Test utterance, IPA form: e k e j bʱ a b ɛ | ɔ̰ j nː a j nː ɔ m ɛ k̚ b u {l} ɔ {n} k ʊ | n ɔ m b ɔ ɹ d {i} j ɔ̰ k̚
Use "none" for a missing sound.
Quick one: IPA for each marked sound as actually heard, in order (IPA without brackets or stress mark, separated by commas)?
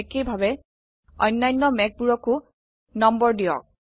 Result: ɹ, none, i